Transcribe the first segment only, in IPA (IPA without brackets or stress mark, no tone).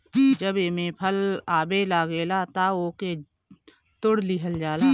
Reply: d͡ʒ